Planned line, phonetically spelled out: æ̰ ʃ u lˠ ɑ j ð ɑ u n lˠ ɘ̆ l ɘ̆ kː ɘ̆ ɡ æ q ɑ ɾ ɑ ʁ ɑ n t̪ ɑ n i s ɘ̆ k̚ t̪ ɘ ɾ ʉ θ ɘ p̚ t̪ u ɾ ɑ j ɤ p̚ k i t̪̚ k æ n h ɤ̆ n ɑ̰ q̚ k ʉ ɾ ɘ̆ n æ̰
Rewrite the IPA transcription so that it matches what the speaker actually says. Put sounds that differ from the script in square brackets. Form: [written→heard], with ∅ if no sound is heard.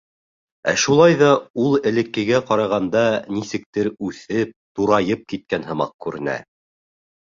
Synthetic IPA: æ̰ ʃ u lˠ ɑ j ð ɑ u [n→∅] lˠ ɘ̆ l ɘ̆ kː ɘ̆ ɡ æ q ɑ ɾ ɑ ʁ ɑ n [t̪→d̪] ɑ n i s ɘ̆ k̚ t̪ ɘ ɾ ʉ θ ɘ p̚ t̪ u ɾ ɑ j ɤ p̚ k i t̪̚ k æ n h ɤ̆ [n→m] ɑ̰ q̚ k ʉ ɾ ɘ̆ n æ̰